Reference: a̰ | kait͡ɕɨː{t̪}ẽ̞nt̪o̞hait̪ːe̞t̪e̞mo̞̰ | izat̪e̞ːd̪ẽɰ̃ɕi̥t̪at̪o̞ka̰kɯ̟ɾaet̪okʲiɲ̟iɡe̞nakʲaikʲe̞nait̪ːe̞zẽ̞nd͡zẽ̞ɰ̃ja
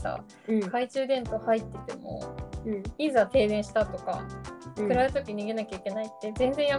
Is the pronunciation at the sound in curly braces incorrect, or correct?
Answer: incorrect